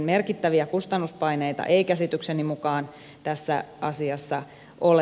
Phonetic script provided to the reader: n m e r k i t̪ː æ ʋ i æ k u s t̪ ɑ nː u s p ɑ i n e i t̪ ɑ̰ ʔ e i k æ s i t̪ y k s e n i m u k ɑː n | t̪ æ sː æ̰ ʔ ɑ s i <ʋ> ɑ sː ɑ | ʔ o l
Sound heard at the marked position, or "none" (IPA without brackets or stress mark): none